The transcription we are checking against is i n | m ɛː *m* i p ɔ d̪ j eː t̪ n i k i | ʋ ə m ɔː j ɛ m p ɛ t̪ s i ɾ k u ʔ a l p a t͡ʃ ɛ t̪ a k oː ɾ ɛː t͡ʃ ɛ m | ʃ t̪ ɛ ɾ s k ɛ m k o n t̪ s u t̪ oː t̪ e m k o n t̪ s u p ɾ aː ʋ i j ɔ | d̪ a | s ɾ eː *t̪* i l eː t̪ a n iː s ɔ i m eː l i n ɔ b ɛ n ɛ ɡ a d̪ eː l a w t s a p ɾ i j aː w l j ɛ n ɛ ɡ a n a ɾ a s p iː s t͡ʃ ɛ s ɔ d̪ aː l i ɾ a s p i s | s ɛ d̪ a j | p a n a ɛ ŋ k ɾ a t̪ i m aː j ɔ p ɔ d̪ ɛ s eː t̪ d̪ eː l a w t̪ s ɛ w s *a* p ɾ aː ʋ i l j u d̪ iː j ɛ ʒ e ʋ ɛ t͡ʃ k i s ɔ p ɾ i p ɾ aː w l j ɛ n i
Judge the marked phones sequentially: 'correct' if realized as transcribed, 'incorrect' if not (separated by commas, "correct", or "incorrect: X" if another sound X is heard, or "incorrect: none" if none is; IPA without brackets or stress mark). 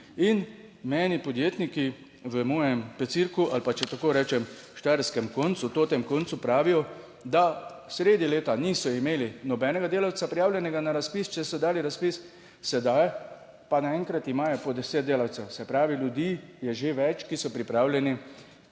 incorrect: n, incorrect: d̪, incorrect: ɛ